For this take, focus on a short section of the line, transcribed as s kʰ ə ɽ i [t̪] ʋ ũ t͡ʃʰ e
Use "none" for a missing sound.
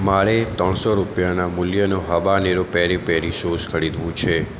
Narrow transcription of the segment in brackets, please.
d̪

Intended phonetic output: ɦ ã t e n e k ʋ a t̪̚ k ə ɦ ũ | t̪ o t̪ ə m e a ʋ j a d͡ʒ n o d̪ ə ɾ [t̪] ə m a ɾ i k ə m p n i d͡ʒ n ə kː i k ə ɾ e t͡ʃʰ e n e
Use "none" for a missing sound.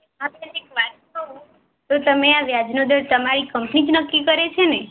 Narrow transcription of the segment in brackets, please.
t̪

